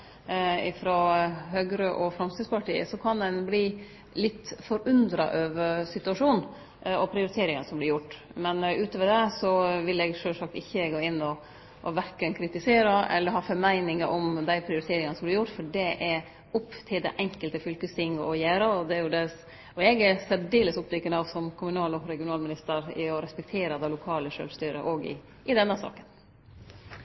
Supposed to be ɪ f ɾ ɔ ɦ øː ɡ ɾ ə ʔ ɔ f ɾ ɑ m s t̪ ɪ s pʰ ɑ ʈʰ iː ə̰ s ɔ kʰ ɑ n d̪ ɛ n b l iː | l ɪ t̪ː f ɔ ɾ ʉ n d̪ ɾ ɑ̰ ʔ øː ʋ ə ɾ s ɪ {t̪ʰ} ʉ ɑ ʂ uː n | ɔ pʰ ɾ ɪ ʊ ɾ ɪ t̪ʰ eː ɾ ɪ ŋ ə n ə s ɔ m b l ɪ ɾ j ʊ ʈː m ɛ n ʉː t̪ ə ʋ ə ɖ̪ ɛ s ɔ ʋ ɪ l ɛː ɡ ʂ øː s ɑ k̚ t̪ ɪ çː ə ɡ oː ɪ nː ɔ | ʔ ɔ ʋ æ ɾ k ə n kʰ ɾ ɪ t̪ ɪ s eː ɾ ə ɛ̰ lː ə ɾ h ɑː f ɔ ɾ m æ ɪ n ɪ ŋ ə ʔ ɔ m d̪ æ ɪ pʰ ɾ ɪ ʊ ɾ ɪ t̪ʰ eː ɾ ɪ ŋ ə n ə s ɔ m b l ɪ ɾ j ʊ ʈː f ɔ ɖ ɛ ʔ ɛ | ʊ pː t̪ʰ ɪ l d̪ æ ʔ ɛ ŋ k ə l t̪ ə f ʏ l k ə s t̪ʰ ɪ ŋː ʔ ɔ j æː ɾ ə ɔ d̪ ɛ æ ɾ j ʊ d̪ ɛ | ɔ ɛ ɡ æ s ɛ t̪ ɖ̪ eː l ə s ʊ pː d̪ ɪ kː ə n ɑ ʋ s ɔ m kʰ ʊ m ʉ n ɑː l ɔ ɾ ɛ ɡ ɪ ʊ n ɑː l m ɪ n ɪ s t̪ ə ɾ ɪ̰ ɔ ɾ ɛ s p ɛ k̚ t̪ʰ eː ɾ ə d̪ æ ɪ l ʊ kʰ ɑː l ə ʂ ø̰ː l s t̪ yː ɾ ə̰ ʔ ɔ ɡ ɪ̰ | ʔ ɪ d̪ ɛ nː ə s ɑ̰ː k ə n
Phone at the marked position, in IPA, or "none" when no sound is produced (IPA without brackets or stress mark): t̪